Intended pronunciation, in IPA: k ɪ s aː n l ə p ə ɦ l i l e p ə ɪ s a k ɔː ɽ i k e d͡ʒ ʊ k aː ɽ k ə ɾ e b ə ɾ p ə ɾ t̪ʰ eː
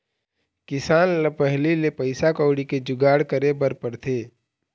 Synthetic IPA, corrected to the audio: k ɪ s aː n l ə p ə ɦ l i l e p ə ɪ s a k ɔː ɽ i k e d͡ʒ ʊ ɡ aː ɽ k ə ɾ e b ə ɾ p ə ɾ t̪ʰ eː